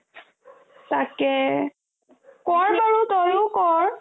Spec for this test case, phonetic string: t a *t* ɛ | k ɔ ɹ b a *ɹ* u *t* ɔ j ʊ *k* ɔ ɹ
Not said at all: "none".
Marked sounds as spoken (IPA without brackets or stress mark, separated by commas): k, ɹ, t, k